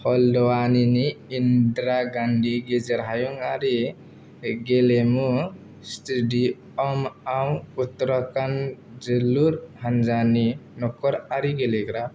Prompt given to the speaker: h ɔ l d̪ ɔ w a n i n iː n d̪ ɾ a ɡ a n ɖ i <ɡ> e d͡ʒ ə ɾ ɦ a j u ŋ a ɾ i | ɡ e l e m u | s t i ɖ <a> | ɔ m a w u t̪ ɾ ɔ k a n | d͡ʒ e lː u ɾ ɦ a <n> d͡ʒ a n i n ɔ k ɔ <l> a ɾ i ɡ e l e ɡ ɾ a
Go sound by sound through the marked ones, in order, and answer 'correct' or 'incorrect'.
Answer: correct, incorrect: i, correct, incorrect: ɾ

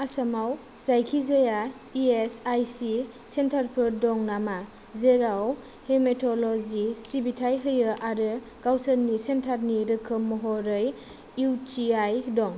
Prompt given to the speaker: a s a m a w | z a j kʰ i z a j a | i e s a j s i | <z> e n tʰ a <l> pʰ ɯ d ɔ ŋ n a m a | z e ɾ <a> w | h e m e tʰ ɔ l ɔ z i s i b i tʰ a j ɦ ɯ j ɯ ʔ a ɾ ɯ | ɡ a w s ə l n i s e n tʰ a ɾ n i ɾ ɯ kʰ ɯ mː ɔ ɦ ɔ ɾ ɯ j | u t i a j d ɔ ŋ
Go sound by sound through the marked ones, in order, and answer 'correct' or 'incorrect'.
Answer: incorrect: s, incorrect: ɾ, correct

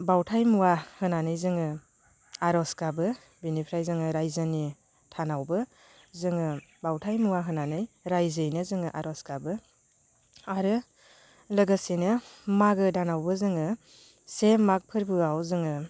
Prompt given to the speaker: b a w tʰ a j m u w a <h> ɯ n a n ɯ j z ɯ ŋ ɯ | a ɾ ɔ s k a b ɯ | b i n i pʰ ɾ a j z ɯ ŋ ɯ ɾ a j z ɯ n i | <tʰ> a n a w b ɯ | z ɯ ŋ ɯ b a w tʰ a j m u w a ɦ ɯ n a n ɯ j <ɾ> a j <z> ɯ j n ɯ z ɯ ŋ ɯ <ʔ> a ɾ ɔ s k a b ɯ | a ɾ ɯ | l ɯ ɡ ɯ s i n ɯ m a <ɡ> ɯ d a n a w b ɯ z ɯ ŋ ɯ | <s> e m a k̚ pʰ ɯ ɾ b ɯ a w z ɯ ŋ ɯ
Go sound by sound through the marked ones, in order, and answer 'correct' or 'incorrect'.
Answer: correct, correct, correct, correct, correct, correct, correct

